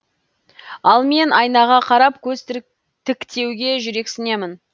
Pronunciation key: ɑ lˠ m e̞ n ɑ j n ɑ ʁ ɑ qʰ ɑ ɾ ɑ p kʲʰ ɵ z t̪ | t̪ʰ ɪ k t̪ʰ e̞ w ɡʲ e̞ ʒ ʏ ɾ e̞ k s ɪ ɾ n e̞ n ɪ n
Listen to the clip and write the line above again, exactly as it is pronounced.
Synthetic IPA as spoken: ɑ lˠ m e̞ n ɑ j n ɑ ʁ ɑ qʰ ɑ ɾ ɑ p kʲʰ ɵ z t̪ | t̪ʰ ɪ k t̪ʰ e̞ w ɡʲ e̞ ʒ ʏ ɾ e̞ k s ɪ n e̞ m ɪ n